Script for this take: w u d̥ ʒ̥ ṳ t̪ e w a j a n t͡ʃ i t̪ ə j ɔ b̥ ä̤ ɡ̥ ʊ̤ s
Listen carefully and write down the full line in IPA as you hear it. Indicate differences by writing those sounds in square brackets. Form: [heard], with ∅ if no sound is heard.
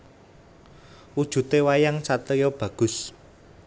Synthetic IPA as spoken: w u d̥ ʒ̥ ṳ t̪ e w a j a [ŋ] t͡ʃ [a] t̪ ə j ɔ b̥ ä̤ ɡ̥ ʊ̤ s